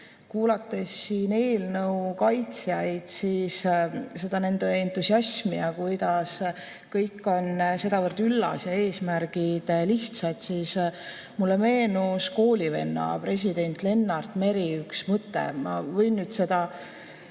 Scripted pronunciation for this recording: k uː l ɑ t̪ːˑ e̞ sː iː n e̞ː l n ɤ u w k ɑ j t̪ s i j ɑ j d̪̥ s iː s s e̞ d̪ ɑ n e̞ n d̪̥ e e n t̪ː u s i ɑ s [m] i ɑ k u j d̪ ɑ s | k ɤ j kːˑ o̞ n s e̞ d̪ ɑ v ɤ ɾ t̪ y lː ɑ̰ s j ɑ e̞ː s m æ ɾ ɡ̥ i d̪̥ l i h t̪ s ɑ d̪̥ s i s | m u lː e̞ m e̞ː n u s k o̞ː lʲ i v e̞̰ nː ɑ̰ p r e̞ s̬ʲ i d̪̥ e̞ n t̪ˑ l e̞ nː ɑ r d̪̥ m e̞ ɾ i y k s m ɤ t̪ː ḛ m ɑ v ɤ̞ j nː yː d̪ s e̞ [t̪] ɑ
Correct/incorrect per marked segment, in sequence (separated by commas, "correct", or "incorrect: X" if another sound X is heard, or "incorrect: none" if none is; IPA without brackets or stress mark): correct, incorrect: d̪